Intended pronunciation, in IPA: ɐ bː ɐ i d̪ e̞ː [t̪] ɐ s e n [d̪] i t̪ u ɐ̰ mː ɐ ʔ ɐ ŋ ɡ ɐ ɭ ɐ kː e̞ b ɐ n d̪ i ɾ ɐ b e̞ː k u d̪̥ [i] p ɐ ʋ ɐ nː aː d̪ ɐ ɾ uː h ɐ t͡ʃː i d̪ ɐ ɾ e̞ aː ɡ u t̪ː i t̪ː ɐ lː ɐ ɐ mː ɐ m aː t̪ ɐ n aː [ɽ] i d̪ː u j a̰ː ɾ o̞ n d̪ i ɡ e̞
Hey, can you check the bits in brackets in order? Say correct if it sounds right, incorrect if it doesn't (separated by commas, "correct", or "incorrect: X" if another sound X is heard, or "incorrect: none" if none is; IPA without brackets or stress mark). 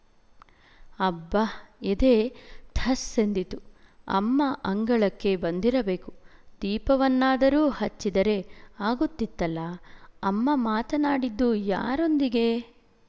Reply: incorrect: t̪ʰ, correct, incorrect: iː, correct